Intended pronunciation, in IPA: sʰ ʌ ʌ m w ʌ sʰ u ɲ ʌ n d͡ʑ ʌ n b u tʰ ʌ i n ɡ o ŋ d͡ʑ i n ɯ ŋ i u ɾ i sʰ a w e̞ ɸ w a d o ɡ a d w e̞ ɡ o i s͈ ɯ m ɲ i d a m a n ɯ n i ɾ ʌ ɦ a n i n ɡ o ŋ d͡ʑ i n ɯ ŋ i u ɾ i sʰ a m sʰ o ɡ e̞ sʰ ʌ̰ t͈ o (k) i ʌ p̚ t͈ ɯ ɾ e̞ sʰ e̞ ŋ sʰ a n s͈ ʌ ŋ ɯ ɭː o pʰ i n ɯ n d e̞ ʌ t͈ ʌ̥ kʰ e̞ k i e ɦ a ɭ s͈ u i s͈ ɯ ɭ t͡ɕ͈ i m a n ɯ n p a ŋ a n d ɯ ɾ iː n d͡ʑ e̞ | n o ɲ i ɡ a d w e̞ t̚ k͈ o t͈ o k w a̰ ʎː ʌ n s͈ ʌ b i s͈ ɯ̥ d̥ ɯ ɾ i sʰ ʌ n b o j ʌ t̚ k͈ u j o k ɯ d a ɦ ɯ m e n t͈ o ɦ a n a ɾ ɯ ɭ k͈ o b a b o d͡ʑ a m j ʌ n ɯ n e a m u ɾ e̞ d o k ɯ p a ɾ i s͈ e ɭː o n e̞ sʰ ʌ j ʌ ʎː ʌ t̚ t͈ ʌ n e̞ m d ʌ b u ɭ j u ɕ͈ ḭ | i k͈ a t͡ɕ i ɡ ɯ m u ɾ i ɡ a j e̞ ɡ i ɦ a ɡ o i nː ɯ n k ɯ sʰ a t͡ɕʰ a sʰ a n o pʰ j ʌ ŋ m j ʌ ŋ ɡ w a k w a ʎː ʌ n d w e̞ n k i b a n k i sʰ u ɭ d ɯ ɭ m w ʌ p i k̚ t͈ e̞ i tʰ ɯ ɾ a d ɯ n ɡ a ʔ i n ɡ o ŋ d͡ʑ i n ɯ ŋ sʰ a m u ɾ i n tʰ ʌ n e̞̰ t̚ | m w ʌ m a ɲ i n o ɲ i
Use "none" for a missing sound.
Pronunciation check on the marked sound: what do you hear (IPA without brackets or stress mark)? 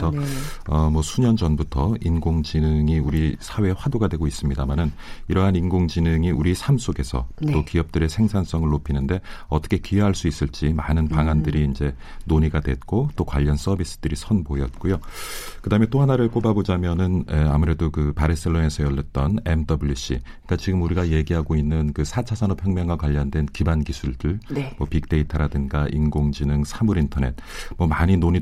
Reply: k